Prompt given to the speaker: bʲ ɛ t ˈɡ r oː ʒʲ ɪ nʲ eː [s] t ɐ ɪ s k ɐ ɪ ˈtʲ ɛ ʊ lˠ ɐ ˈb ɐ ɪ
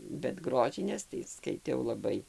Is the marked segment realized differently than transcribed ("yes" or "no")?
no